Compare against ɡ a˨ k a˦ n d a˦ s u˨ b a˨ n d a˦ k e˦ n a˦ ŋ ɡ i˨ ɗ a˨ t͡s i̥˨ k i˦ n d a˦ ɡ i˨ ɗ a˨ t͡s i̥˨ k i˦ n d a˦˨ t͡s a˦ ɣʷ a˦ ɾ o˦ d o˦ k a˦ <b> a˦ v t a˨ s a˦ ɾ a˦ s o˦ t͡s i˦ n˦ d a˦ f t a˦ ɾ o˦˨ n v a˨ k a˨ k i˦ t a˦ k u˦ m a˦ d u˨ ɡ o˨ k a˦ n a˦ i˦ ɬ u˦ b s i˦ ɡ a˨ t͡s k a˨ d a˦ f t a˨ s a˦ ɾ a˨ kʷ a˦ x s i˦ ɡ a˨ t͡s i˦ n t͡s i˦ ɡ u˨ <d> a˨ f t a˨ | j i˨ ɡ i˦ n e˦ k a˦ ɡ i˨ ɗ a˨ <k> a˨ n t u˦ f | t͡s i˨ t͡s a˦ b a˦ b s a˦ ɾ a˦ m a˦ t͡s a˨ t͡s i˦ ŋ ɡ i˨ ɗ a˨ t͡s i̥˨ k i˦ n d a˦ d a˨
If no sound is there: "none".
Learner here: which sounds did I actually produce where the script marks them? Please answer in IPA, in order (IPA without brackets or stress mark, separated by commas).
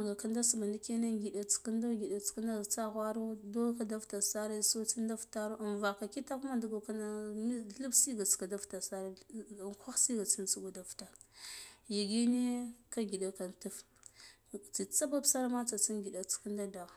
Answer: d, d, k